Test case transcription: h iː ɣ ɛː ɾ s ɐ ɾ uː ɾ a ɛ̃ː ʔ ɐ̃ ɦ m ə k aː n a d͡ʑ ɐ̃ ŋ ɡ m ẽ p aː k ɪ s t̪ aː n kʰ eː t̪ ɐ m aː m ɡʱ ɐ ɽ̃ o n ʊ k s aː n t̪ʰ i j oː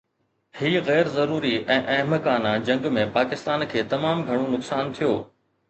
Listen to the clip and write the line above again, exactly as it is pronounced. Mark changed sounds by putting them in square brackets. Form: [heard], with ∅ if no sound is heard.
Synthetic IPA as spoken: h iː ɣ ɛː ɾ [z] ɐ ɾ uː ɾ [i] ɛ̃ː ʔ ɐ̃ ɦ m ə k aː n a d͡ʑ ɐ̃ ŋ ɡ m ẽ p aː k ɪ s t̪ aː n kʰ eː t̪ ɐ m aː m ɡʱ ɐ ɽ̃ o n ʊ k s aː n t̪ʰ i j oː